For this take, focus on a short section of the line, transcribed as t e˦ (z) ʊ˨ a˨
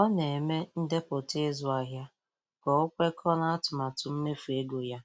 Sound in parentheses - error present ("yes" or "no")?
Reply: no